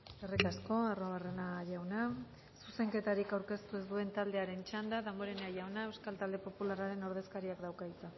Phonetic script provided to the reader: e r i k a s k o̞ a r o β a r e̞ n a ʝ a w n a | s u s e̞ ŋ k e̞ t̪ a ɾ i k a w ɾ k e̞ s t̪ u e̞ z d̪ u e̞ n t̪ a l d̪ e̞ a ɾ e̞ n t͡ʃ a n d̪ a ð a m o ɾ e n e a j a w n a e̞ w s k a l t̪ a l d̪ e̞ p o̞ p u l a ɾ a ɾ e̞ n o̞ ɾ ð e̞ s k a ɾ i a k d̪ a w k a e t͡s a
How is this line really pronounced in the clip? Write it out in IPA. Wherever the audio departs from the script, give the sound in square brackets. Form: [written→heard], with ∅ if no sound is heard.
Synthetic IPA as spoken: e r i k a s k o̞ a r o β a r e̞ n a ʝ a w n a | s u s e̞ ŋ k e̞ t̪ a ɾ i k a w ɾ k e̞ s t̪ u e̞ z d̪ u e̞ n t̪ a l d̪ e̞ a ɾ e̞ n t͡ʃ a n d̪ a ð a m o ɾ e n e a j a w n a e̞ w s k a l t̪ a l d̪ e̞ p o̞ p u l a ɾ a ɾ e̞ n o̞ ɾ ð e̞ s k a ɾ i a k d̪ a w k a [e→i] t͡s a